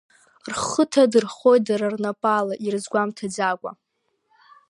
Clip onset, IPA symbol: r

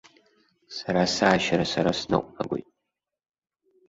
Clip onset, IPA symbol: s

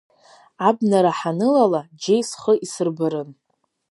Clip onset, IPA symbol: a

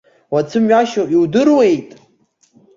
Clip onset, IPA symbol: w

